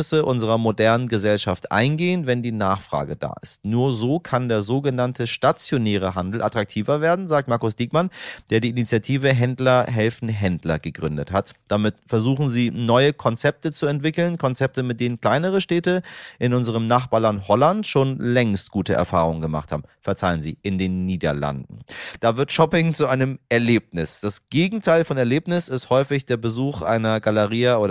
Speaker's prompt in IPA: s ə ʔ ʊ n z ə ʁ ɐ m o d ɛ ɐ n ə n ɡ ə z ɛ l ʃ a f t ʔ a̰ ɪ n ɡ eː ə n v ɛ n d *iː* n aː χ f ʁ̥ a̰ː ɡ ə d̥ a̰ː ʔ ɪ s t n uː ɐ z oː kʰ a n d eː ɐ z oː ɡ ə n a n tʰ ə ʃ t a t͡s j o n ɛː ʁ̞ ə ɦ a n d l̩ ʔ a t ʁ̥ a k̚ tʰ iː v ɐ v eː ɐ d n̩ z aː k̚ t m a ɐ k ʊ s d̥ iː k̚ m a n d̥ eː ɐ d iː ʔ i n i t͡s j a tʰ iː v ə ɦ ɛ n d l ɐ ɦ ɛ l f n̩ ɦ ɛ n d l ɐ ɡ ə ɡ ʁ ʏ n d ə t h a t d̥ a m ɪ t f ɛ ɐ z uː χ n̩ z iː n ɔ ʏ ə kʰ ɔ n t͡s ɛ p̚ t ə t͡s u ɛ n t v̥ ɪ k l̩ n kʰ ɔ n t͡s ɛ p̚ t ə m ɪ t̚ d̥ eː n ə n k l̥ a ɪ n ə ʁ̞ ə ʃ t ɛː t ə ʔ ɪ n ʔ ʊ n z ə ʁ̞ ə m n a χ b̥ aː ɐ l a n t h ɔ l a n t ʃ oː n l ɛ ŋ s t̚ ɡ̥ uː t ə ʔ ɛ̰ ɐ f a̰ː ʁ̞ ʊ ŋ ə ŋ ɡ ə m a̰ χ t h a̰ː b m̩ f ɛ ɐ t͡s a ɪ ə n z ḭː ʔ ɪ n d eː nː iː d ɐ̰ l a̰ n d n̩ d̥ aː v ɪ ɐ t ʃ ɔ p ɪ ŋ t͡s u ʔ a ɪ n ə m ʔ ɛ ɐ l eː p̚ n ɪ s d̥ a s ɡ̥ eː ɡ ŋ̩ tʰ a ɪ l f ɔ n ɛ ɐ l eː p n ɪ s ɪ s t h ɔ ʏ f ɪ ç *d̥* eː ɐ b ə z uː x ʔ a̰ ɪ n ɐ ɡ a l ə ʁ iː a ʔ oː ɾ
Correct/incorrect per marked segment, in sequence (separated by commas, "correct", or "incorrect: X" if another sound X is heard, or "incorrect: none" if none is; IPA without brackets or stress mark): correct, correct